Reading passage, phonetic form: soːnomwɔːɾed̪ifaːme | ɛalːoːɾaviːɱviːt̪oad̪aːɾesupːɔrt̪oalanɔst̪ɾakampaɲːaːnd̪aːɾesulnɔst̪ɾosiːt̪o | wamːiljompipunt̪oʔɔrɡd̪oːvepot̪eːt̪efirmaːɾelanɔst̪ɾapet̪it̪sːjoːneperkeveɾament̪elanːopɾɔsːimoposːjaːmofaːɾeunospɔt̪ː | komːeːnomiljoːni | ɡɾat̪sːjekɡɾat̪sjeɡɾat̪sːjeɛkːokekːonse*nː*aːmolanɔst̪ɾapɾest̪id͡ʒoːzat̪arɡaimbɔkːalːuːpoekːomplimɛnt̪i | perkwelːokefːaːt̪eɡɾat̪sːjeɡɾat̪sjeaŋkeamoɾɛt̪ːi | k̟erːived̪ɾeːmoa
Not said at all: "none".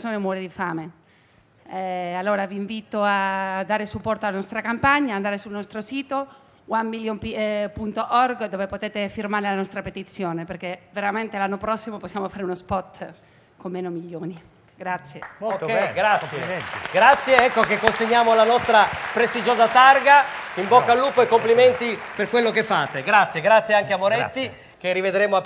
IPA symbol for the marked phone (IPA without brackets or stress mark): ɲː